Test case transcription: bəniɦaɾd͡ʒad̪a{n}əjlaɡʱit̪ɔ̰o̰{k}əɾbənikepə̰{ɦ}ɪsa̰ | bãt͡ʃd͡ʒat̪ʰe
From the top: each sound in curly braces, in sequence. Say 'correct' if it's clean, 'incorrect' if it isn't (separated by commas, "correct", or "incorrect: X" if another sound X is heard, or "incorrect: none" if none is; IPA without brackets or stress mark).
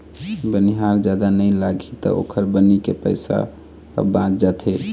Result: correct, incorrect: kʰ, incorrect: none